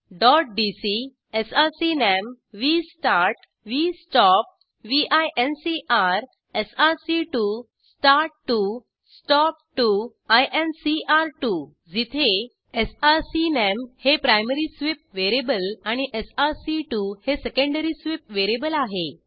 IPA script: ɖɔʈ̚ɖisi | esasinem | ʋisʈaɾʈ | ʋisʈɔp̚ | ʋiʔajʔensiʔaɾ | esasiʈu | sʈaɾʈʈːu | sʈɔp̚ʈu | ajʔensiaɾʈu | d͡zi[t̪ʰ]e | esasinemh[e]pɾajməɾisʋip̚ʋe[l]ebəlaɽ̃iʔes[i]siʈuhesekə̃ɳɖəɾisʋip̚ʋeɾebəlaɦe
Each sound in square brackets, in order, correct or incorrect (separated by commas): correct, correct, incorrect, incorrect